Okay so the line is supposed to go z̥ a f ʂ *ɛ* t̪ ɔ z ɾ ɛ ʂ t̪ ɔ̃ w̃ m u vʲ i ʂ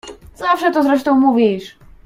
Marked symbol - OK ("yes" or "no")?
yes